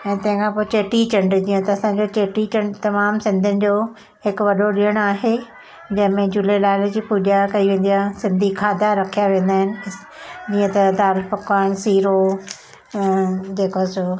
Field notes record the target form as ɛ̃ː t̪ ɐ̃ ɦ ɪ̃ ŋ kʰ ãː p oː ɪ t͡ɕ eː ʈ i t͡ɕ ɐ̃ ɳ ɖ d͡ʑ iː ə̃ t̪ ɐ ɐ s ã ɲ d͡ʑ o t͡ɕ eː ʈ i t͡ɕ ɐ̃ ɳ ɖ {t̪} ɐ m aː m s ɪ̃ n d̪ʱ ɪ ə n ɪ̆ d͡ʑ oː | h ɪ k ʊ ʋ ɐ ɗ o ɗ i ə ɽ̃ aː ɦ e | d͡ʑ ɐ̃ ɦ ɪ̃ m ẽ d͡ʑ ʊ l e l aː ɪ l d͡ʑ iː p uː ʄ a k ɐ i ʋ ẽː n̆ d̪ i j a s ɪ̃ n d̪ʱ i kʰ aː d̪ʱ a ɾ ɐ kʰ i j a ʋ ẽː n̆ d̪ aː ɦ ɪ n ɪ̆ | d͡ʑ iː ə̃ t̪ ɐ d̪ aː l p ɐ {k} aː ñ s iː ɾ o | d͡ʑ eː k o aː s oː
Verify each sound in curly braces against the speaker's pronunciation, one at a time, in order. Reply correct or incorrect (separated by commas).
correct, correct